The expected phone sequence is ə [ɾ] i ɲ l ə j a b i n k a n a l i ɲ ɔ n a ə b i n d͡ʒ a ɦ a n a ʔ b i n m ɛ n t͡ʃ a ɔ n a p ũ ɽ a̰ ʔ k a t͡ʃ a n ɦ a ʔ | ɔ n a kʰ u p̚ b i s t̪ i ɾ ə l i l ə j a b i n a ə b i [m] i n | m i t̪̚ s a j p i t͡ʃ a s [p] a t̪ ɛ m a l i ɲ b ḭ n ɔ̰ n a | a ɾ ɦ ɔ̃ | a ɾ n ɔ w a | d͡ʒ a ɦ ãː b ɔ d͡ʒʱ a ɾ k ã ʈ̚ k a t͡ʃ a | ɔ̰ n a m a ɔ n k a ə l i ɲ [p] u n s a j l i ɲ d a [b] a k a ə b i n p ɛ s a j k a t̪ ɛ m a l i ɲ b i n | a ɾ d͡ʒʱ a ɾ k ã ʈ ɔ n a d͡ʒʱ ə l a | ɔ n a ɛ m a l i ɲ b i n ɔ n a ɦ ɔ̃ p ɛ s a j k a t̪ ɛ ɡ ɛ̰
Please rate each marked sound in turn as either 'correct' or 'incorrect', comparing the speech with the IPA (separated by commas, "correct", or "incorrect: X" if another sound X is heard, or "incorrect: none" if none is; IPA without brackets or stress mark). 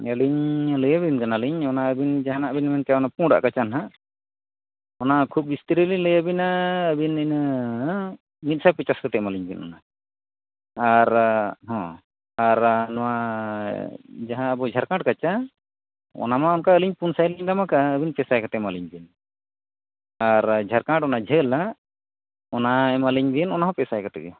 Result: incorrect: l, incorrect: n, incorrect: k, correct, incorrect: m